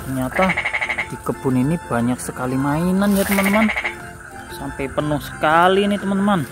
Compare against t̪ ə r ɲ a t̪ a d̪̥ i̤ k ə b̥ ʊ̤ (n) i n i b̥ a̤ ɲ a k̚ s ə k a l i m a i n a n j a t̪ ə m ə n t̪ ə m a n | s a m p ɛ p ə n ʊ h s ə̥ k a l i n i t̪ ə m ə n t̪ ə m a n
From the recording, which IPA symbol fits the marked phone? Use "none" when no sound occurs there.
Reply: n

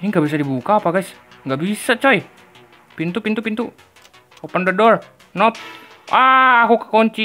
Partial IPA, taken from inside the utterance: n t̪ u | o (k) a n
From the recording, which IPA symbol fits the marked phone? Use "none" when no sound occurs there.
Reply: p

